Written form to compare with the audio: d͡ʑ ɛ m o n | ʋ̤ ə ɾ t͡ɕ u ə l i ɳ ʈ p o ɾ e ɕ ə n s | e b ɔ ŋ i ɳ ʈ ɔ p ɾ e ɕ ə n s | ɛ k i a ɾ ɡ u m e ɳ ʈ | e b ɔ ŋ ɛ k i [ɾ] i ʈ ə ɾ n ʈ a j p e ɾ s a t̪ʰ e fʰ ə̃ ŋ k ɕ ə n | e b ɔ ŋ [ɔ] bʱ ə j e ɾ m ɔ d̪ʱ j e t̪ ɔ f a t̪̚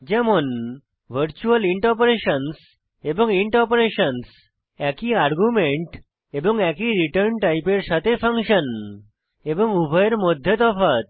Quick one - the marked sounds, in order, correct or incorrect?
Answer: correct, incorrect: u

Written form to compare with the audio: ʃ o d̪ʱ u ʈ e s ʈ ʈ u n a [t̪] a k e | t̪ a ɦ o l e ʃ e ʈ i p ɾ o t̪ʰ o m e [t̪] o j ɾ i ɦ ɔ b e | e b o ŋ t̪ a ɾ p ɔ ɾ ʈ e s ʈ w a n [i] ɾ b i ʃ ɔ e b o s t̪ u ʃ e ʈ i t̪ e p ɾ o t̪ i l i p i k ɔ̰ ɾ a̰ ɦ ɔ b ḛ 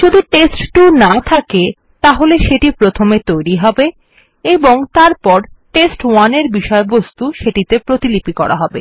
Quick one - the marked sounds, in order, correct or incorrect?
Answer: incorrect: t̪ʰ, correct, incorrect: e

